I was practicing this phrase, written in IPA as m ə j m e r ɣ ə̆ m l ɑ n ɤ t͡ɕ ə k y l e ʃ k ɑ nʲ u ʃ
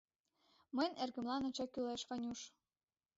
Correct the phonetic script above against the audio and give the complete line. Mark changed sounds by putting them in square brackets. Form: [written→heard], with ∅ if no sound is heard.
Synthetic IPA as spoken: m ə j [m→n] e r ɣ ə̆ m l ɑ n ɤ t͡ɕ [ə→ɑ] k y l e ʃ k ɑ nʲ u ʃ